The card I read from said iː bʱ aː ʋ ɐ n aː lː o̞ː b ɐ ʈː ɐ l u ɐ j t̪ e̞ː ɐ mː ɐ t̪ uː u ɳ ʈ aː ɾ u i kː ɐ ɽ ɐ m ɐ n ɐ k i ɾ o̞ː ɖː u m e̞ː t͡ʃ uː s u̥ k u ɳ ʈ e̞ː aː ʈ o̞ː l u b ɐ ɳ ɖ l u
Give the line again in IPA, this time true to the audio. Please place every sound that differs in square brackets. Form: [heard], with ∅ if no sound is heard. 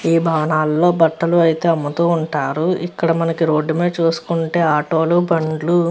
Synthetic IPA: iː bʱ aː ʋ ɐ n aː lː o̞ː b ɐ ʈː ɐ l u ɐ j t̪ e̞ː ɐ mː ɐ t̪ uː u ɳ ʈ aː ɾ u i kː ɐ ɽ ɐ m ɐ n ɐ k i ɾ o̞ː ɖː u m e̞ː t͡ʃ uː s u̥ k u ɳ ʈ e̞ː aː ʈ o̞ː l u b ɐ ɳ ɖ l u